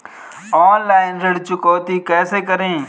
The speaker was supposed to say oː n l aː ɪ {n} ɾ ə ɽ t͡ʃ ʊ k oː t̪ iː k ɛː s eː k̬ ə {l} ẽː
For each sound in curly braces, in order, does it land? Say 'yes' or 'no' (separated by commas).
yes, no